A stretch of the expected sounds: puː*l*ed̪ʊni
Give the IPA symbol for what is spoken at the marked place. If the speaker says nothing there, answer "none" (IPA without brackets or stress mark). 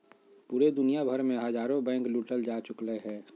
ɾ